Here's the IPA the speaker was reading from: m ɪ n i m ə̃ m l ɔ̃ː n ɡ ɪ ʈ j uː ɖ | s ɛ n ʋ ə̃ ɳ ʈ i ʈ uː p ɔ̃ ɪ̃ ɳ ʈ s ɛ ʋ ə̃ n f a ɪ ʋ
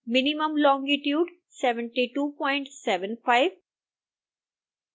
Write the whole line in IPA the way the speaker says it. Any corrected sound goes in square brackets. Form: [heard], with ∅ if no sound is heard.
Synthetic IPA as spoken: m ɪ n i m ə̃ m l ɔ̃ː [ŋ] ɡ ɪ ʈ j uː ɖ | s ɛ [∅] ʋ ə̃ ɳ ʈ i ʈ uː p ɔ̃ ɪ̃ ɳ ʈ s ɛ ʋ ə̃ n f a ɪ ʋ